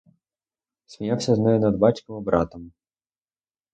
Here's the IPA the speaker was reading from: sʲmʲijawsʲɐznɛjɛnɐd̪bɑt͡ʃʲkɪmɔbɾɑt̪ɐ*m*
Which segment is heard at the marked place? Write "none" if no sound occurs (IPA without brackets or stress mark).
m